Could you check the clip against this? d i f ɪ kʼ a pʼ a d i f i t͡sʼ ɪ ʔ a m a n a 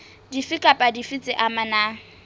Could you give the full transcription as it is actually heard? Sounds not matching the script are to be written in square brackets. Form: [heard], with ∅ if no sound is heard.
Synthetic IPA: d i f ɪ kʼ a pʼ a d i f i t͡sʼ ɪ ʔ a m a n a